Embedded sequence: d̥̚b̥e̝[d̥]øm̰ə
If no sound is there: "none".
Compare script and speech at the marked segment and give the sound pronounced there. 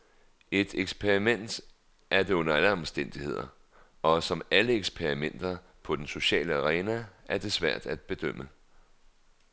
d̥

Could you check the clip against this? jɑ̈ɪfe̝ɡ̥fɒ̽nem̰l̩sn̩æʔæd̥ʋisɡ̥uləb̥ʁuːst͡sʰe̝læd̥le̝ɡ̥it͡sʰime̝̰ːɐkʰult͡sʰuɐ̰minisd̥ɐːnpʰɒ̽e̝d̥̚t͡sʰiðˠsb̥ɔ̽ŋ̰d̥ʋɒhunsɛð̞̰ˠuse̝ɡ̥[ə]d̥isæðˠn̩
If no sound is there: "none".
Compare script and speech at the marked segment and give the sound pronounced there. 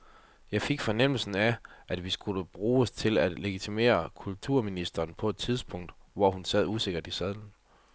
ɐ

